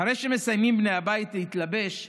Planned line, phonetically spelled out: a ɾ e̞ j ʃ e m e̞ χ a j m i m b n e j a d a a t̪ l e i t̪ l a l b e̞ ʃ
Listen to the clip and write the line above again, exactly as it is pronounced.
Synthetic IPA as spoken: a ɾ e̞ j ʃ e m e̞ s a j m i m b n e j a b a i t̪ l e i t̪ l a b e̞ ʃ

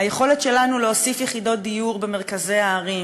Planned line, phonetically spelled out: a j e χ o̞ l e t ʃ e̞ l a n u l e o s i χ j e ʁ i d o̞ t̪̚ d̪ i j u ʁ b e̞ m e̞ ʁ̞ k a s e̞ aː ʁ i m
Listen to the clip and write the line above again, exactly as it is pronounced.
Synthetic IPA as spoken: a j e χ o̞ l e t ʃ e̞ l a n u l e o s i f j e χ i d o̞ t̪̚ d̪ i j u ʁ b e̞ m e̞ ʁ̞ k a z e̞ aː ʁ i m

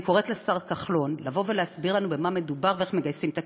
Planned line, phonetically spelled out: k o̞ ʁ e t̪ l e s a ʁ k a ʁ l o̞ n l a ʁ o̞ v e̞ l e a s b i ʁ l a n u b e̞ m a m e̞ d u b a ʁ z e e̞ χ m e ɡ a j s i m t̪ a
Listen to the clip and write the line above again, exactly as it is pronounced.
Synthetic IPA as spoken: k o̞ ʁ e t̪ l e s a ʁ k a χ l o̞ n l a v o̞ v e̞ l e a s b i ʁ l a n u b e̞ m a m e̞ d u b a ʁ v e e̞ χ m e ɡ a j s i m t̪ a

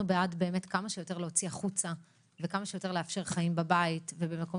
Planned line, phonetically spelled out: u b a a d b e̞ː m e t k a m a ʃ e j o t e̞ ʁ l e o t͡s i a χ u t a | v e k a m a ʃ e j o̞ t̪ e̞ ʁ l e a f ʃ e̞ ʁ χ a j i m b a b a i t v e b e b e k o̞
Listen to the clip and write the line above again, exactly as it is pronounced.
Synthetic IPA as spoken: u b e a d b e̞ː m e t k a m a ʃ e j o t e̞ ʁ l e o t͡s i a χ u t͡s a | v e k a m a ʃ e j o̞ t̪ e̞ ʁ l e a f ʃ e̞ ʁ χ a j i m b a b a i t v e b e m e k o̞

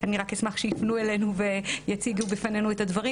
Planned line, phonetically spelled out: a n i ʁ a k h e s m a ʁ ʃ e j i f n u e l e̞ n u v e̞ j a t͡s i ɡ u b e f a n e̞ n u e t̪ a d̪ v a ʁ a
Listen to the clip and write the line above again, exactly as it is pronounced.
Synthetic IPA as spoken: a n i ʁ a k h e s m a χ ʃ e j i f n u e l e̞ n u v e̞ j a t͡s i ɡ u b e f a n e̞ n u e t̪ a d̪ v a ʁ i

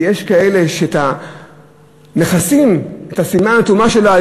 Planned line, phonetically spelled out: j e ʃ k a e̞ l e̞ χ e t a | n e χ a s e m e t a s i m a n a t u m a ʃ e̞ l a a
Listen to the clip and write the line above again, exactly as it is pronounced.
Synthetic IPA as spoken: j e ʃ k a e̞ l e̞ ʃ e t a | n e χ a s i m e t a s i m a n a t u m a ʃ e̞ l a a

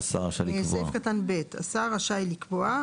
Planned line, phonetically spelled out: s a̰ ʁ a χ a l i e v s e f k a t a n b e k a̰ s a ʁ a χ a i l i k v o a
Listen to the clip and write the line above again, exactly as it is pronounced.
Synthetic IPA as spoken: s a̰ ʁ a ʃ a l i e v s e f k a t a n b e t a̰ s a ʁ a ʃ a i l i k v o a

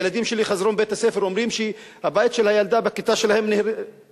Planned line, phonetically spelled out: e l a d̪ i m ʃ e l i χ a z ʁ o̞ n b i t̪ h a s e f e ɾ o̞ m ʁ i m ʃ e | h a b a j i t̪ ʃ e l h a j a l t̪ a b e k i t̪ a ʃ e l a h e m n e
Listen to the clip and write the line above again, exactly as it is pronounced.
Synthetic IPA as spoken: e l a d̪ i m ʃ e l i χ a z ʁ o̞ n b e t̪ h a s e f e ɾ o̞ m ʁ i m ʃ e | h a b a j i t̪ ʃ e l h a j a l d̪ a b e k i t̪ a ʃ e l a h e m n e

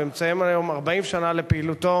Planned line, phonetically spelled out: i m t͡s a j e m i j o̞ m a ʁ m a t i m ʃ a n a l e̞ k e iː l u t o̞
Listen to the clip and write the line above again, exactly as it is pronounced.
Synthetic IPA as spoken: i m t͡s a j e m a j o̞ m a ʁ b a i m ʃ a n a l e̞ p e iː l u t o̞

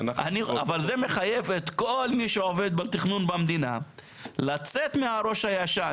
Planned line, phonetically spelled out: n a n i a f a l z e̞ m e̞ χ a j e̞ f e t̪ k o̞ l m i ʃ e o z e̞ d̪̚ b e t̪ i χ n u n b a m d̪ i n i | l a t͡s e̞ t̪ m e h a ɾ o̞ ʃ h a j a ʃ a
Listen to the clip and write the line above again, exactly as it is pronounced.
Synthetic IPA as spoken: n a n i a v a l z e̞ m e̞ χ a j e̞ v e t̪ k o̞ l m i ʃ e o v e̞ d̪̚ b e t̪ i χ n u n b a m d̪ i n a | l a t͡s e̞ t̪ m e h a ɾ o̞ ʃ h a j a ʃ a

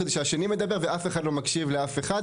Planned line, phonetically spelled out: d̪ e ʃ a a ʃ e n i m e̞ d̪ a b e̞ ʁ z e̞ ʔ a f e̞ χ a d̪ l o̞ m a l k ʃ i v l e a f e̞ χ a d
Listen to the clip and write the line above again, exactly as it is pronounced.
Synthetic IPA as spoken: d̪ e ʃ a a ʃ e n i m e̞ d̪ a b e̞ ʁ v e̞ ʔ a f e̞ χ a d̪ l o̞ m a k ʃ i v l e a f e̞ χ a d

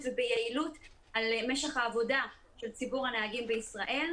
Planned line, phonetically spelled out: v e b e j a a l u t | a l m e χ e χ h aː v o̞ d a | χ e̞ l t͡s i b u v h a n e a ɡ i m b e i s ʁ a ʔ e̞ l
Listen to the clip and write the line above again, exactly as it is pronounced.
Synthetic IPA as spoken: v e b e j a i l u t | a l m e ʃ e χ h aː v o̞ d a | ʃ e̞ l t͡s i b u ʁ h a n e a ɡ i m b e i s ʁ a ʔ e̞ l

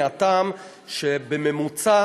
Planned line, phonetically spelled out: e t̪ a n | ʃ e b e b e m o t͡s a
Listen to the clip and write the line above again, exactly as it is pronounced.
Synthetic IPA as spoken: a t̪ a m | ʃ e b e m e m u t͡s a

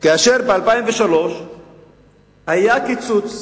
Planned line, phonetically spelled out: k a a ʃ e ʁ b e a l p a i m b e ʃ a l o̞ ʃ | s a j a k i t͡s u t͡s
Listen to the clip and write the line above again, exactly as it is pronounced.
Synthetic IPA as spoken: k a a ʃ e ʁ b e a l p a i m v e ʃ a l o̞ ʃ | h a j a k i t͡s u t͡s

